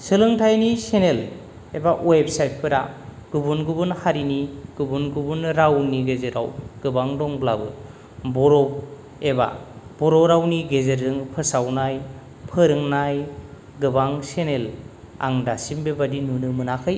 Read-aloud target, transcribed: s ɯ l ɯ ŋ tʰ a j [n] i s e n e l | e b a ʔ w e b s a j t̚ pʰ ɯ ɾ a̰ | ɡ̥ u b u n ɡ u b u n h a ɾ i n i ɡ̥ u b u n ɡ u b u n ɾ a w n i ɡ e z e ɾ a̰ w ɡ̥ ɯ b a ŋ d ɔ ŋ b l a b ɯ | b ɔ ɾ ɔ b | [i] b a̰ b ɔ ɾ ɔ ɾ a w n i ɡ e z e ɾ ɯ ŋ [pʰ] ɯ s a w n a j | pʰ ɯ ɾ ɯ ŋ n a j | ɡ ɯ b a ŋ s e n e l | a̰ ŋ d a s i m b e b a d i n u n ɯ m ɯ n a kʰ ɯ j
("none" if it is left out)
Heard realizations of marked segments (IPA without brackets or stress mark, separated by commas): n, e, pʰ